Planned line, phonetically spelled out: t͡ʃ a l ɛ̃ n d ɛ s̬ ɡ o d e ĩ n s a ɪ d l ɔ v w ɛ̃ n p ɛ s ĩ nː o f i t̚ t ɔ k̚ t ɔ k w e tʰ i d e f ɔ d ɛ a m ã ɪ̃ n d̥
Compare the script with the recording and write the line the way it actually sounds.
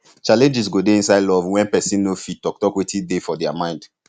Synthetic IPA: t͡ʃ a l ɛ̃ n d͡ʒ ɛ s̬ ɡ o d e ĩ n s a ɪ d l ɔ v w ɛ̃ n p ɛ s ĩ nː o f i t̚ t ɔ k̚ t ɔ k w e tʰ i d e f ɔ d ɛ a m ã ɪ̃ n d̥